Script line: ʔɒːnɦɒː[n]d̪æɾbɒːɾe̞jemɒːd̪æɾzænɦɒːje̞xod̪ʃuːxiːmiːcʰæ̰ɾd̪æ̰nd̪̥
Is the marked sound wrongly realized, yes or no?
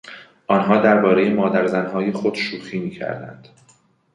yes